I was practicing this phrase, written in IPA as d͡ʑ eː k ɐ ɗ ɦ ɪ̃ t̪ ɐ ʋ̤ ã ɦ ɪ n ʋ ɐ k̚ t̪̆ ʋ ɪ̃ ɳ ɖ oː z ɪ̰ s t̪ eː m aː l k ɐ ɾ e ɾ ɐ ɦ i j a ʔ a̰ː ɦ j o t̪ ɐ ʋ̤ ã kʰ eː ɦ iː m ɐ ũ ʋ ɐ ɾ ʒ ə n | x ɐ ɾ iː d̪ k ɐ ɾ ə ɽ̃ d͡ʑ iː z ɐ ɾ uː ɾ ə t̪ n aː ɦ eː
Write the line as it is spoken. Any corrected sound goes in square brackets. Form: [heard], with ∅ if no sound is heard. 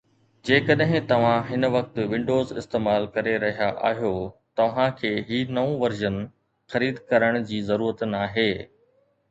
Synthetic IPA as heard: d͡ʑ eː k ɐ ɗ ɦ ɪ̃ t̪ ɐ ʋ̤ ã ɦ ɪ n ʋ ɐ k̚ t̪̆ ʋ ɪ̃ ɳ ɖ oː z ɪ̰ s t̪ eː m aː l k ɐ ɾ e ɾ ɐ ɦ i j a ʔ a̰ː ɦ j o t̪ ɐ ʋ̤ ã kʰ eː ɦ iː [n] ɐ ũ ʋ ɐ ɾ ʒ ə n | x ɐ ɾ iː d̪ k ɐ ɾ ə ɽ̃ d͡ʑ iː z ɐ ɾ uː ɾ ə t̪ n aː ɦ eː